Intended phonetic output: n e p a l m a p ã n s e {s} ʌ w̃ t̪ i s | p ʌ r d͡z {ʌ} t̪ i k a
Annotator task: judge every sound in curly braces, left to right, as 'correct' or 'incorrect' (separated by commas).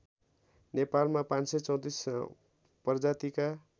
incorrect, incorrect